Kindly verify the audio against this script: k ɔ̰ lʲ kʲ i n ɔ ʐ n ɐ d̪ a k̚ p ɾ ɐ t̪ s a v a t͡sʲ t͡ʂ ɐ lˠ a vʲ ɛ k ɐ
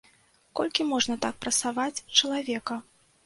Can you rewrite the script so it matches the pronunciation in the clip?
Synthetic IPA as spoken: k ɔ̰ lʲ kʲ i m ɔ ʐ n ɐ t̪ a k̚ p ɾ ɐ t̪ s a v a t͡sʲ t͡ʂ ɐ lˠ a vʲ ɛ k ɐ